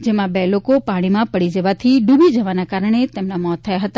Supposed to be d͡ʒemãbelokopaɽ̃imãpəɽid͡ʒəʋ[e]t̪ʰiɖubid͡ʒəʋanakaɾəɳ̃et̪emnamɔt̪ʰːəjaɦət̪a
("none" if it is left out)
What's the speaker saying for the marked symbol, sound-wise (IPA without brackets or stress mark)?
a